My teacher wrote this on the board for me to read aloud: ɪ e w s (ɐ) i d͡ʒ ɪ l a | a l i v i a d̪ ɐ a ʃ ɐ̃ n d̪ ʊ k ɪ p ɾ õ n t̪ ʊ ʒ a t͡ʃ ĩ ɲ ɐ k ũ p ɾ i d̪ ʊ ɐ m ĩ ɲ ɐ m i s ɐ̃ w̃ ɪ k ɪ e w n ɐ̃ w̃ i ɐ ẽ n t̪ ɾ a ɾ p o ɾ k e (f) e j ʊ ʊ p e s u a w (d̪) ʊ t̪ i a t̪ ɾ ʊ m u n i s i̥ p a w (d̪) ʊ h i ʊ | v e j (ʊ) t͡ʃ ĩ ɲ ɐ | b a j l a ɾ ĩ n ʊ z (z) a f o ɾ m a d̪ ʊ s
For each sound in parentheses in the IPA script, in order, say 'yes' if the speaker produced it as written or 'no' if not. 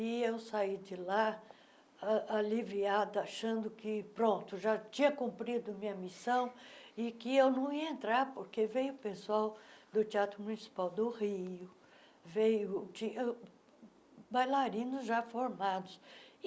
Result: no, no, yes, yes, yes, no

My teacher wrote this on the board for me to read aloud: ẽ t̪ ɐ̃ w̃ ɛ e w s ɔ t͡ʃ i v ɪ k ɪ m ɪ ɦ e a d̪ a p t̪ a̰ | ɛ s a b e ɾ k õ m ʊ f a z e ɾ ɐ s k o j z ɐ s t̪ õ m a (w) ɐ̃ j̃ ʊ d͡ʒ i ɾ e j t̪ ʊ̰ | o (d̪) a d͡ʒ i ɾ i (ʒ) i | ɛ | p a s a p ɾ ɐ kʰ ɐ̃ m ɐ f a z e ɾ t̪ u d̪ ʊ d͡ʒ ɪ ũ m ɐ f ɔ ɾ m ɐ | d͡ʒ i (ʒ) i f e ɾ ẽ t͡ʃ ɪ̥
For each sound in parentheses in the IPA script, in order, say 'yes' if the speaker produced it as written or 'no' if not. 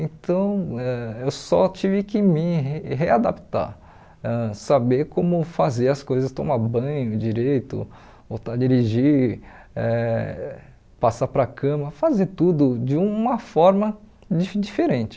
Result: no, no, yes, no

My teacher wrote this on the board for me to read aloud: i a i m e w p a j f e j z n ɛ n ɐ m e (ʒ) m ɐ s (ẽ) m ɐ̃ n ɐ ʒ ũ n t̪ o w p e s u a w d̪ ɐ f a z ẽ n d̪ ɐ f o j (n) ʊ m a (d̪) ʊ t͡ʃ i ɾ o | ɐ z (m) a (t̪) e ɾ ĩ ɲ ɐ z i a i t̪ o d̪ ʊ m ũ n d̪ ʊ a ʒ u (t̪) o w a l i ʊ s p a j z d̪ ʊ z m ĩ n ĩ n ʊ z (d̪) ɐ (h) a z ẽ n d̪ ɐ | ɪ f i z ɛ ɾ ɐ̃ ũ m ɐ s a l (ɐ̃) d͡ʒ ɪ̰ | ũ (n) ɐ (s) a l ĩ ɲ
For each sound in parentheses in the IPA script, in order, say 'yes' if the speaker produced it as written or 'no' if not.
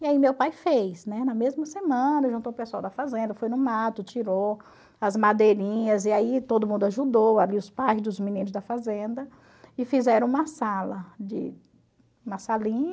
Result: no, no, yes, no, yes, no, no, yes, no, no, no, yes

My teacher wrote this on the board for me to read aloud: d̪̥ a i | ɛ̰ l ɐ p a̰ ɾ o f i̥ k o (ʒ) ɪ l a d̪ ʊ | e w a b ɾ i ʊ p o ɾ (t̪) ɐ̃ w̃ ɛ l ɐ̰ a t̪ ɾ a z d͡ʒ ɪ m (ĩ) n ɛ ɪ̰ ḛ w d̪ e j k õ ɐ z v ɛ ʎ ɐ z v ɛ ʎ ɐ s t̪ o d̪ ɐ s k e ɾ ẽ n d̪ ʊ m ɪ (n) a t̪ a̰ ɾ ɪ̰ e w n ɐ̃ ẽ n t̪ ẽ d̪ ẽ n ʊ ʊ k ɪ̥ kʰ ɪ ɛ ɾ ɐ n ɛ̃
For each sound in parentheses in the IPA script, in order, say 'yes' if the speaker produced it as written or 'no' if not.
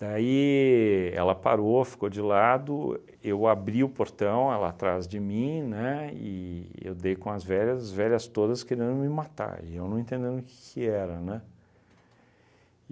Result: no, yes, yes, no

